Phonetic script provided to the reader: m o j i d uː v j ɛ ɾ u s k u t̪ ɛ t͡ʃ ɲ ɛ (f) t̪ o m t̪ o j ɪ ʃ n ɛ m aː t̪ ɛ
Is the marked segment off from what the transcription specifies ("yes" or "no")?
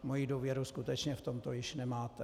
no